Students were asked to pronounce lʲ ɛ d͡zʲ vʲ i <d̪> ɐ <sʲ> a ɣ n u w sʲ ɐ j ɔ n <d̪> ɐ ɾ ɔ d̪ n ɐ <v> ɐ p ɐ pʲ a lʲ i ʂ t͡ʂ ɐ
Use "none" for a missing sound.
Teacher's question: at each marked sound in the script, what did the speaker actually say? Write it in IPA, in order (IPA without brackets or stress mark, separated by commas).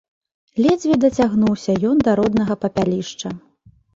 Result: d̪, t͡sʲ, d̪, ɣ